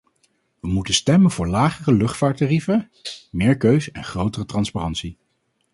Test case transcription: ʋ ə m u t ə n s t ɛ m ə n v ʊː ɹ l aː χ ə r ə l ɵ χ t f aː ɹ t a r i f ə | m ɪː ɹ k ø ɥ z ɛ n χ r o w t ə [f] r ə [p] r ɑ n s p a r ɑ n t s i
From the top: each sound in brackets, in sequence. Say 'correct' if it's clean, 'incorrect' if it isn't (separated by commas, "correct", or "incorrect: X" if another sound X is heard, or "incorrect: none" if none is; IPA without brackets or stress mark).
incorrect: none, incorrect: t